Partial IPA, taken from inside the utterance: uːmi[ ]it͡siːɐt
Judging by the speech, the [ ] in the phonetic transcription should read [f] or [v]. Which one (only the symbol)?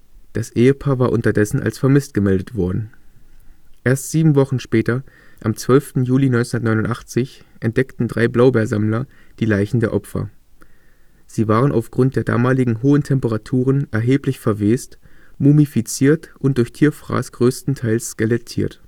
f